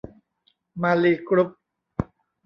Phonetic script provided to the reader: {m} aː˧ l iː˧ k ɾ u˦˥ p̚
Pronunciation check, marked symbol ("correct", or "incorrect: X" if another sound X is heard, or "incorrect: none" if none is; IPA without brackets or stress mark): correct